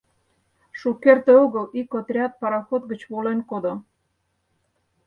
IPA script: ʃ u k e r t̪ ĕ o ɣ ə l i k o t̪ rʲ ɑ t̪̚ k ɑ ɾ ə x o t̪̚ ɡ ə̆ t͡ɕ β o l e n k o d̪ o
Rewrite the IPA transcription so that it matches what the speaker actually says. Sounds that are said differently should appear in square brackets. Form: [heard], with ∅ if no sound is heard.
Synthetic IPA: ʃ u k e r t̪ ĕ o ɣ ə l i k o t̪ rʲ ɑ t̪̚ [p] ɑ ɾ [ɑ] x o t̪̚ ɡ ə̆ t͡ɕ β o l e n k o d̪ o